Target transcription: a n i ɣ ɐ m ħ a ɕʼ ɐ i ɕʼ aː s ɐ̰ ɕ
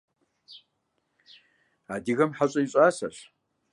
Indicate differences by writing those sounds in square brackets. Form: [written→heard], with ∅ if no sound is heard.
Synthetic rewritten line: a [n→d] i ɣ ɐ m ħ a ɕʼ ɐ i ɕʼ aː s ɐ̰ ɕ